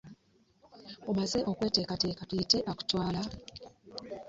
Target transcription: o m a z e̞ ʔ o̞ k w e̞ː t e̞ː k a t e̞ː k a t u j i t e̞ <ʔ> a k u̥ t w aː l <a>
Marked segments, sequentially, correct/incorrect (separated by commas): correct, correct